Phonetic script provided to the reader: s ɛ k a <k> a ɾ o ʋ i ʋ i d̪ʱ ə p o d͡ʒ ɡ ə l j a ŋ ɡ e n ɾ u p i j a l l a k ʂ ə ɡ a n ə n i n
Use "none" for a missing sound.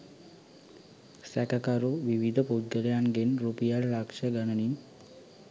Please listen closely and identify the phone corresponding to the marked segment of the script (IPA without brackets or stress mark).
k